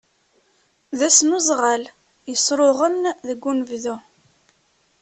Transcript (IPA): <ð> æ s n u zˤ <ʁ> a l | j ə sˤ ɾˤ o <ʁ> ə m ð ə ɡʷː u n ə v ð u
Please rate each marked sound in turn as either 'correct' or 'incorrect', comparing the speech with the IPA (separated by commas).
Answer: correct, correct, correct